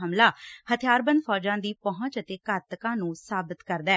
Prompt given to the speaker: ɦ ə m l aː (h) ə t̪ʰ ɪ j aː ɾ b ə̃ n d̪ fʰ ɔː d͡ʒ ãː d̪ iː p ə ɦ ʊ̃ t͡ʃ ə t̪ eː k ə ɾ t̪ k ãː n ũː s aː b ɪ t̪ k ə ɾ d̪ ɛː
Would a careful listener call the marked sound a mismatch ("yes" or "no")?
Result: no